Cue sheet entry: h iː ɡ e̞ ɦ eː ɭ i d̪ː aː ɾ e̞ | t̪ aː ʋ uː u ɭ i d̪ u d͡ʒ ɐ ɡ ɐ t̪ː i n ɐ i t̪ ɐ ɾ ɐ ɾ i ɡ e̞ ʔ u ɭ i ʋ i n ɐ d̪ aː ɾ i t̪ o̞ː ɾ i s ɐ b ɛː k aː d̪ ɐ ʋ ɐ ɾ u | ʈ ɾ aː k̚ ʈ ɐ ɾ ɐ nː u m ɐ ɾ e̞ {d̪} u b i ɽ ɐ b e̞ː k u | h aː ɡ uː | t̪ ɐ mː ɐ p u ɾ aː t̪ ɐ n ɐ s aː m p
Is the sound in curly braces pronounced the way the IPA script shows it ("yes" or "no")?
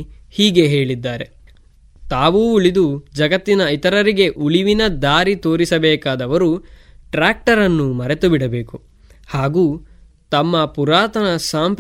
no